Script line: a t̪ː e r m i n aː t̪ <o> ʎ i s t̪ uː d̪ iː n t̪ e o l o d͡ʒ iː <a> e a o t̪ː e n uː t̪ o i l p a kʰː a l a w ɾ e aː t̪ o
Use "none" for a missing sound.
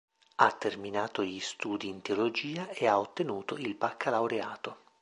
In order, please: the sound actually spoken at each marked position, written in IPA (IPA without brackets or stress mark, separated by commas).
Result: o, a